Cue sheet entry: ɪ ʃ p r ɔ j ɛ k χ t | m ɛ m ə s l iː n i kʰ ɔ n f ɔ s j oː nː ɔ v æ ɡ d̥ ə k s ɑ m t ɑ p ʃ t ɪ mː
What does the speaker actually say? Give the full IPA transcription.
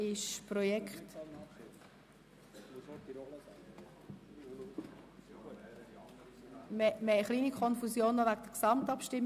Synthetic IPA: ɪ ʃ p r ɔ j ɛ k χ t | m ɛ m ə χ l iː n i kʰ ɔ n f u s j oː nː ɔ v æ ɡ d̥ ə k s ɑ m t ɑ p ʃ t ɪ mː